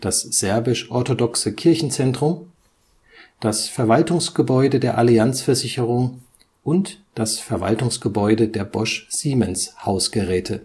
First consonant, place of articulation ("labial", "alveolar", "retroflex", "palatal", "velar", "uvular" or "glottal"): alveolar